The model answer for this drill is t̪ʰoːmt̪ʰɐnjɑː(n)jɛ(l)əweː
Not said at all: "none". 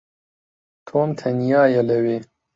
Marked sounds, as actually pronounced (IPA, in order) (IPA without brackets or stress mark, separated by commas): none, l